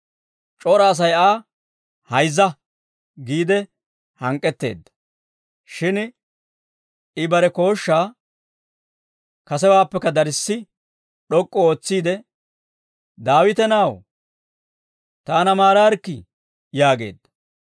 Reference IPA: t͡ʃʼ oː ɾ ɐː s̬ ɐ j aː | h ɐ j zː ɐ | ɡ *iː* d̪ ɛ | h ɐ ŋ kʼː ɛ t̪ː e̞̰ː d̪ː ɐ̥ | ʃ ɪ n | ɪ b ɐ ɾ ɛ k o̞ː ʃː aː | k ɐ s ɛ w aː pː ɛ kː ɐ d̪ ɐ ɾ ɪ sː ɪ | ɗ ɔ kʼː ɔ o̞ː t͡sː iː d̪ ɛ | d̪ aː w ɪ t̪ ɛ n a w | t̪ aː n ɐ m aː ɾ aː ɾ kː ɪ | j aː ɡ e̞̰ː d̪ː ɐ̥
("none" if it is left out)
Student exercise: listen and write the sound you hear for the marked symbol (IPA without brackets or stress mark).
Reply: iː